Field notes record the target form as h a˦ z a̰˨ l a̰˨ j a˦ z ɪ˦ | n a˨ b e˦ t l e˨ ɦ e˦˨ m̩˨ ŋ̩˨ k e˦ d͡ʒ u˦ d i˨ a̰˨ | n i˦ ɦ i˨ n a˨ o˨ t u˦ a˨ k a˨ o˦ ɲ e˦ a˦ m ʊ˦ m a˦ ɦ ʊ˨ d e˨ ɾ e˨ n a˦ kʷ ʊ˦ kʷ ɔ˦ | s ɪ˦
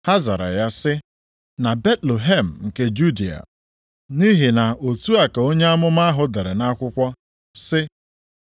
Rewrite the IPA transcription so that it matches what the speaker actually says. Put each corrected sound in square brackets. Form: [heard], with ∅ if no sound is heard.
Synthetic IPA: h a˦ z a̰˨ [ɾ] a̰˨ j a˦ [s] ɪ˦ | n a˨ b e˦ t l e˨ ɦ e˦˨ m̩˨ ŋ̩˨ k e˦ d͡ʒ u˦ d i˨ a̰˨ | n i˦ ɦ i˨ n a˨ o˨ t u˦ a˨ k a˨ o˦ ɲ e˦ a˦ m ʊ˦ m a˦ ɦ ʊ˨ d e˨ ɾ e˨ n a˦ kʷ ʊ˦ kʷ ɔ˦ | s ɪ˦